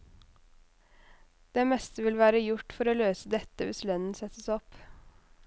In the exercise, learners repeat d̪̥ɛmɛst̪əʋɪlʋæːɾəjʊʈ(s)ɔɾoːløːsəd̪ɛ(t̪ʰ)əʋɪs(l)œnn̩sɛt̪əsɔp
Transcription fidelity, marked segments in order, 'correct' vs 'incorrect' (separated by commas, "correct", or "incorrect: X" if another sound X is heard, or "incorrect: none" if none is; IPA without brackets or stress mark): incorrect: f, incorrect: t̪, correct